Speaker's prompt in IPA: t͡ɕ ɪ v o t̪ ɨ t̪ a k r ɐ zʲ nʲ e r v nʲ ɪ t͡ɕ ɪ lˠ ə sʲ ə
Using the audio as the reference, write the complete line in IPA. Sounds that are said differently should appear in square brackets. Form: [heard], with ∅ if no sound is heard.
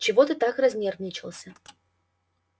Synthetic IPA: t͡ɕ ɪ v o t̪ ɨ t̪ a k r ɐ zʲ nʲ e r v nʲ ɪ t͡ɕ ɪ lˠ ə sʲ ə

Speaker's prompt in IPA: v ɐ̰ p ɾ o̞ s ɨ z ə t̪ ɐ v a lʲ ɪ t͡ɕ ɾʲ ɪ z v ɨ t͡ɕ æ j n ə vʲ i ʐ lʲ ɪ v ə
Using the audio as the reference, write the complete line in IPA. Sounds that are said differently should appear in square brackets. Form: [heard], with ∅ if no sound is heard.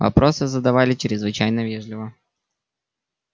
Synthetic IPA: v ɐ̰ p ɾ o̞ s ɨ z ə [d̪] ɐ v a lʲ ɪ t͡ɕ ɾʲ ɪ z v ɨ t͡ɕ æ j n ə vʲ [e] ʐ lʲ ɪ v ə

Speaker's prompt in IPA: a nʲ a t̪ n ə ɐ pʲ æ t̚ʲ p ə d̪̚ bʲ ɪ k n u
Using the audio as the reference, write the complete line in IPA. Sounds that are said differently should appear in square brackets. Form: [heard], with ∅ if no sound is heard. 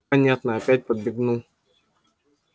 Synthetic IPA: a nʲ a t̪ n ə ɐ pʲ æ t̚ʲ p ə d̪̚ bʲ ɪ [ɡ] n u

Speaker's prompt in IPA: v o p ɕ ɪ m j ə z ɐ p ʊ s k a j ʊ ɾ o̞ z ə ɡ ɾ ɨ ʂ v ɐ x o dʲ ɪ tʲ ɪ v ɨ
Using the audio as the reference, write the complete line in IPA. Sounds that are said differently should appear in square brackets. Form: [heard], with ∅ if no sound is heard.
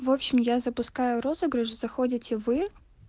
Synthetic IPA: v o p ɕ ɪ m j [a] z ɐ p ʊ s k a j ʊ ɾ o̞ z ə ɡ ɾ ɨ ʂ [z] ɐ x o dʲ ɪ tʲ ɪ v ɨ

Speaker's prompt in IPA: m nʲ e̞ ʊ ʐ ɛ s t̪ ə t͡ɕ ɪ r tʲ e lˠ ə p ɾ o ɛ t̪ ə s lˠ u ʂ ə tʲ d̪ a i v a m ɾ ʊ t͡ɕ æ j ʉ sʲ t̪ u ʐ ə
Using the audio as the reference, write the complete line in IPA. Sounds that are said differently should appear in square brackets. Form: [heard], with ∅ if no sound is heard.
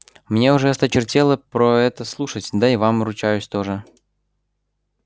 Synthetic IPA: m nʲ e̞ ʊ ʐ ɛ s t̪ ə t͡ɕ ɪ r tʲ e lˠ ə p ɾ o ɛ t̪ ə s lˠ u ʂ ə tʲ d̪ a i v a m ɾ ʊ t͡ɕ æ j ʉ sʲ t̪ [o] ʐ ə

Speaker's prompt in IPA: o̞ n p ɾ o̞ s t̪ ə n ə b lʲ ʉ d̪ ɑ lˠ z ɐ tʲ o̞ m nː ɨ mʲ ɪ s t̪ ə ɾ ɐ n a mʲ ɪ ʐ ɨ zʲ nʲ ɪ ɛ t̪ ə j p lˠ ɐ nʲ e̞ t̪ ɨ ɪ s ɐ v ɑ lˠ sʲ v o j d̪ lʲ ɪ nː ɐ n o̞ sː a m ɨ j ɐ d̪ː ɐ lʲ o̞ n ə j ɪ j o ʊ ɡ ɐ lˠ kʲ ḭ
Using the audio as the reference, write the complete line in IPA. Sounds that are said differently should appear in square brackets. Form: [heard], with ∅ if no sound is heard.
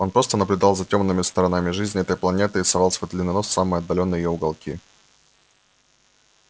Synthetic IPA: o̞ n p ɾ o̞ s t̪ ə n ə b lʲ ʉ d̪ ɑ lˠ z ɐ tʲ o̞ m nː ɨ mʲ ɪ s t̪ ə ɾ ɐ n a mʲ ɪ ʐ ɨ zʲ nʲ ɪ ɛ t̪ ə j p lˠ ɐ nʲ e̞ t̪ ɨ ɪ s ɐ v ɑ lˠ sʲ v o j d̪ lʲ ɪ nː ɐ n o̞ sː a m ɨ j ɐ d̪ː ɐ lʲ o̞ [nː] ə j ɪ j o ʊ ɡ ɐ lˠ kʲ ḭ

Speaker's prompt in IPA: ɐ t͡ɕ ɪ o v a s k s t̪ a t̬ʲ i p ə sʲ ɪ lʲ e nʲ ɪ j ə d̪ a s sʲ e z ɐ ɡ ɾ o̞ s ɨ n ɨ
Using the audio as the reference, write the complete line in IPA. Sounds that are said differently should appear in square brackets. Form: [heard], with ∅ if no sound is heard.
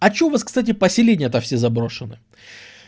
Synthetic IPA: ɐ t͡ɕ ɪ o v a s k s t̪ a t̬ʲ [ɪ] p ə sʲ ɪ lʲ e nʲ ɪ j ə [t̪] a [f] sʲ e z ɐ [b] ɾ o̞ [ʂ] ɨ n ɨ

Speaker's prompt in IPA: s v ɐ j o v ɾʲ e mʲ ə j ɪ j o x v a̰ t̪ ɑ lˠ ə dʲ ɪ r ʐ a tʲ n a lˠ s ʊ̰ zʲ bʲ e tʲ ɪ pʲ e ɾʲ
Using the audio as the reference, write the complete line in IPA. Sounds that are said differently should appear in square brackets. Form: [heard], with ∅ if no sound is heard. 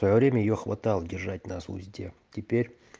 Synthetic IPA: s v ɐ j o v ɾʲ e mʲ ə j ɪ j o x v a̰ t̪ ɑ lˠ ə dʲ ɪ r ʐ a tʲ n a [∅] s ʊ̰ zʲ [dʲ] e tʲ ɪ pʲ e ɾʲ

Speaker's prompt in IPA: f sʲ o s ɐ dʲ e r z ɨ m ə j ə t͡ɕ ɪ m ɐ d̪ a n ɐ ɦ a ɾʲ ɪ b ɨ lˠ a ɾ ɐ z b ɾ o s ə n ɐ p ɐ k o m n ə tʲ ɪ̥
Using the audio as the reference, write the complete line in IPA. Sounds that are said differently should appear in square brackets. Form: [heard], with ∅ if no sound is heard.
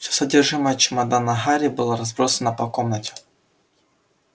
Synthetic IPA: f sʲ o s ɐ dʲ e r [ʐ] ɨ m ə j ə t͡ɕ ɪ m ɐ d̪ a n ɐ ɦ a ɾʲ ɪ b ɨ lˠ a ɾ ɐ z b ɾ o s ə n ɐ p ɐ k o m n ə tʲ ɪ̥

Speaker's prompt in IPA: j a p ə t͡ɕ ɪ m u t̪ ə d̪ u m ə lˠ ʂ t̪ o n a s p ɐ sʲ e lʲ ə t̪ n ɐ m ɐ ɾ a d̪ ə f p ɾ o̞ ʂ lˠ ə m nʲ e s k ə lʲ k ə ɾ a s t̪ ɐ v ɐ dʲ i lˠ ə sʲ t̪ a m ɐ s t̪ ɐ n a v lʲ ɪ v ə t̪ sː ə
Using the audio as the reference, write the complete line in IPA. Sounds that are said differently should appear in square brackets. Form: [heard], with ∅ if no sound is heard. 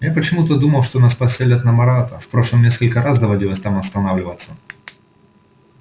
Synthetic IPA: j a p ə t͡ɕ ɪ m u t̪ ə d̪ u m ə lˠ ʂ t̪ o n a s p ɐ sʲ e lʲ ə t̪ n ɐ m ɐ ɾ a [t̪] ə f p ɾ o̞ ʂ lˠ ə m nʲ e s k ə lʲ k ə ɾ a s [d̪] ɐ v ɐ dʲ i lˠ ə sʲ t̪ a m ɐ s t̪ ɐ n a v lʲ ɪ v ə t̪ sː ə

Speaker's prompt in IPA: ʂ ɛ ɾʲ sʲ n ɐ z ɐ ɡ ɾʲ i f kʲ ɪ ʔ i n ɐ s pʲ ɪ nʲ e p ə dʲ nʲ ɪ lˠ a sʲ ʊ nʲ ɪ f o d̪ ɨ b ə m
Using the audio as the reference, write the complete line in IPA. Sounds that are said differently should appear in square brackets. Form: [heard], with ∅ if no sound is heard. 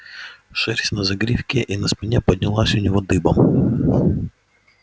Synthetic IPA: ʂ ɛ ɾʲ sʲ n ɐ z ɐ ɡ ɾʲ i f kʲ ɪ ʔ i n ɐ s pʲ ɪ nʲ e p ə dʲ nʲ ɪ lˠ a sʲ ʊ nʲ ɪ [v] o d̪ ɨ b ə m

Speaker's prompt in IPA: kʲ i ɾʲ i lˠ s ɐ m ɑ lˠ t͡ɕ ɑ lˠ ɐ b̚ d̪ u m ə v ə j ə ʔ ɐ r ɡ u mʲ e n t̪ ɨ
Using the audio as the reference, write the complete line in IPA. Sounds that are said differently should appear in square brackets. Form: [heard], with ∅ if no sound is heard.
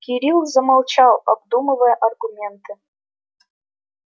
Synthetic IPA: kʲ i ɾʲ i lˠ [z] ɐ m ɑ lˠ t͡ɕ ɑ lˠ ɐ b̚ d̪ u m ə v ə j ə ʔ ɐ r ɡ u mʲ e n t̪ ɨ

